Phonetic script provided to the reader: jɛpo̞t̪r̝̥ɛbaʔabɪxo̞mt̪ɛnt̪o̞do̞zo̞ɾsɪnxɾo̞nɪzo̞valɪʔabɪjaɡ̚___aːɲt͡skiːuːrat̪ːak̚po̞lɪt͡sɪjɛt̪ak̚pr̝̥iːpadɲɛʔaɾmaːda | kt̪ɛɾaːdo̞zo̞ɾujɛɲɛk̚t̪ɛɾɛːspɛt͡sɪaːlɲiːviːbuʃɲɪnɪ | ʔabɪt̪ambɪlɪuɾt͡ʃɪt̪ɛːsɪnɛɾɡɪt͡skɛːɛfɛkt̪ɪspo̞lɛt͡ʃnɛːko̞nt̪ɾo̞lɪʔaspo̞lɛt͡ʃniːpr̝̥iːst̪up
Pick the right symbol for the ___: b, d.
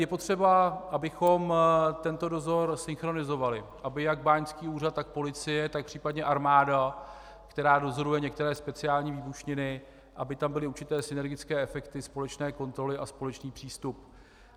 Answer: b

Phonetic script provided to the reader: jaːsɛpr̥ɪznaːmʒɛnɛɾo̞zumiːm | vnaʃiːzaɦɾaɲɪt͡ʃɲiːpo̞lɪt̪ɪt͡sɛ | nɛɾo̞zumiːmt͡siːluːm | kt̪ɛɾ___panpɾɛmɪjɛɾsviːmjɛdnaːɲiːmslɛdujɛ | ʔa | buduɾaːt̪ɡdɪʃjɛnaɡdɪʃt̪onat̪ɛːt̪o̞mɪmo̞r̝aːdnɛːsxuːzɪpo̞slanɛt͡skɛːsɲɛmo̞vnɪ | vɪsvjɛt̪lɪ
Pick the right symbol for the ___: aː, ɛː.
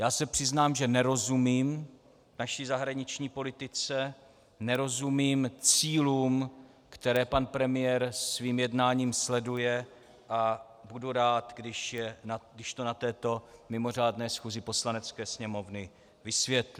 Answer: ɛː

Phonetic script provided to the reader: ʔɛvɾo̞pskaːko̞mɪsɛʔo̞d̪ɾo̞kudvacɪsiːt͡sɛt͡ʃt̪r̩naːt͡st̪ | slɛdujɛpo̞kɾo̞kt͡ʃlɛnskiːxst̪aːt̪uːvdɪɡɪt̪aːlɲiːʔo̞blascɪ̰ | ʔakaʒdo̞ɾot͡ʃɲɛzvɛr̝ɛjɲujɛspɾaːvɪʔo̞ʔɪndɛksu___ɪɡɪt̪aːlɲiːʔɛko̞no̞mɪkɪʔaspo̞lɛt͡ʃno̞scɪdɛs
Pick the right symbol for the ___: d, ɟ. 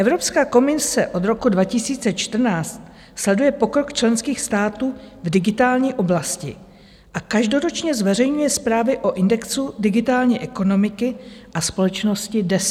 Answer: d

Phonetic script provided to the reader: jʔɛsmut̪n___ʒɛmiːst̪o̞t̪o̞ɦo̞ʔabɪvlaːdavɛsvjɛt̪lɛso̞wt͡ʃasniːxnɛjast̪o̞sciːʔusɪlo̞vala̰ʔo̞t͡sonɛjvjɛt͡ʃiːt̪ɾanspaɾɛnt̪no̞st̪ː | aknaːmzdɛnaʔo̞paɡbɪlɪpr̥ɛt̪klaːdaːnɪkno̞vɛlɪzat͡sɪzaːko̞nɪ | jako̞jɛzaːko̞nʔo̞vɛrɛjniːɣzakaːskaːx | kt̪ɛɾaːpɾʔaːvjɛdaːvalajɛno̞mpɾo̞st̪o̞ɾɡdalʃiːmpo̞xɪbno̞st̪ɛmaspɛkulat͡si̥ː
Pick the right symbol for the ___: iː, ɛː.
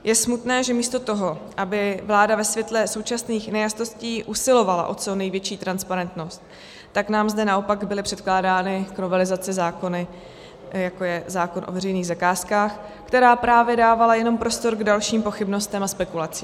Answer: ɛː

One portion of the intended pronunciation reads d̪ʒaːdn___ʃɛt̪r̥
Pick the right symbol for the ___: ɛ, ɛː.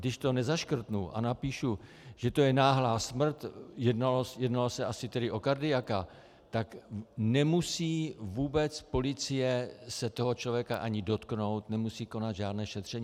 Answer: ɛː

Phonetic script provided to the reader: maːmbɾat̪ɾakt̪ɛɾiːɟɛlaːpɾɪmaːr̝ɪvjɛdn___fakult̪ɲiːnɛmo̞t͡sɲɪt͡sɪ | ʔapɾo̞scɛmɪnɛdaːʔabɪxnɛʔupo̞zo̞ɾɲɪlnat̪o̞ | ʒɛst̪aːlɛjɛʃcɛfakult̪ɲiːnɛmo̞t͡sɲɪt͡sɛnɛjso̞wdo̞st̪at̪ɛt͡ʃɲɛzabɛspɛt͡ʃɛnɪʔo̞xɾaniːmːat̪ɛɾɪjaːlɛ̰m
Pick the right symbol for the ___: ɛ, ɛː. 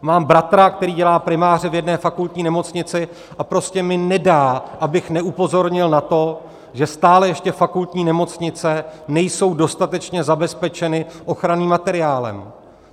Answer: ɛː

